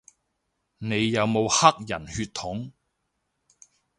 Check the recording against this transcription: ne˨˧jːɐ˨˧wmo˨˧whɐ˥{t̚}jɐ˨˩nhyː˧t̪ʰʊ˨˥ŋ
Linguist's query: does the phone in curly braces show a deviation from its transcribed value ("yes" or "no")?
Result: yes